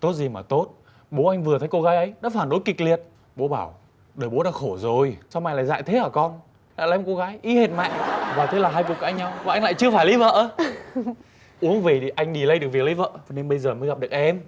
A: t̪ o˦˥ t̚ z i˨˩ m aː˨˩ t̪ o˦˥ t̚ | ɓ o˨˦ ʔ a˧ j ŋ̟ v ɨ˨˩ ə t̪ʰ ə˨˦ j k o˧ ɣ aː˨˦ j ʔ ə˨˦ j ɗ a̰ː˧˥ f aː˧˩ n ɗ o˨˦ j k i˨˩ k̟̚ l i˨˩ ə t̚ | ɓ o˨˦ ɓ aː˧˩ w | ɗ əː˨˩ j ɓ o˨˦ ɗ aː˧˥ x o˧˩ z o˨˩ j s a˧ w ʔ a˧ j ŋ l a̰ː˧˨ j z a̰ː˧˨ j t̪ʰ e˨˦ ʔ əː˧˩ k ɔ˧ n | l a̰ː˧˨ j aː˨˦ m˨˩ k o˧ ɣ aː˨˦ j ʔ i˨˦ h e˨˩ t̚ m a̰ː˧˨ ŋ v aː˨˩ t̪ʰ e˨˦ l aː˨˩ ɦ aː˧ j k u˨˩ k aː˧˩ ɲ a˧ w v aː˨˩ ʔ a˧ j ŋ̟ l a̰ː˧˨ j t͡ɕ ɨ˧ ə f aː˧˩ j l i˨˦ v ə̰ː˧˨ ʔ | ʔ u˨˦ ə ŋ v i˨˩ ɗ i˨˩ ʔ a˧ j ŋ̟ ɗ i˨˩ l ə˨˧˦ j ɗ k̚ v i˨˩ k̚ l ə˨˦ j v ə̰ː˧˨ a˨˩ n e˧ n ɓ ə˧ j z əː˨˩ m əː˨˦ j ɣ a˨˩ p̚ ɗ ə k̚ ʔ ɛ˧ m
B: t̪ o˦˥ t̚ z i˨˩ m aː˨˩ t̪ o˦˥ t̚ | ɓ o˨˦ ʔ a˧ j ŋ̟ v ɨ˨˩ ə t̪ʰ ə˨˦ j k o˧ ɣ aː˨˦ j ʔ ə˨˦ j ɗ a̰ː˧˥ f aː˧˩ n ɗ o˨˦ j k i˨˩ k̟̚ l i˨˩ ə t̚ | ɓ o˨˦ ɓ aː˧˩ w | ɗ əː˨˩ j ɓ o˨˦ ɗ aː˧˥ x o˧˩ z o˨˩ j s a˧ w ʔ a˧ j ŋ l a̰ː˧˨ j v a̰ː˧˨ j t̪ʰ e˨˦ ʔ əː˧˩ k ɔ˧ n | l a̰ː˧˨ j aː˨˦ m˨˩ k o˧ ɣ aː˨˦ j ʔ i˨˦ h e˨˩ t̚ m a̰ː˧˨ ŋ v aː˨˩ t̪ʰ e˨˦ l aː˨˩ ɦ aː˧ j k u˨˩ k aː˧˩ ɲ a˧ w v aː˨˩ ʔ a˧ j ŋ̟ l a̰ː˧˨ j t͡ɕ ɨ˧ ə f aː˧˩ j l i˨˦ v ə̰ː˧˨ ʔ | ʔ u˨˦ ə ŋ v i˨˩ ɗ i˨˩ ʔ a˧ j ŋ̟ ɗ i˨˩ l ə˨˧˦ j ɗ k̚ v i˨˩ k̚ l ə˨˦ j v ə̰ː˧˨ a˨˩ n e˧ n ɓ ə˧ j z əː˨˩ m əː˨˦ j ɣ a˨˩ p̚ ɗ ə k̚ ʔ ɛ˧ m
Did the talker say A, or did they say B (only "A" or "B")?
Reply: A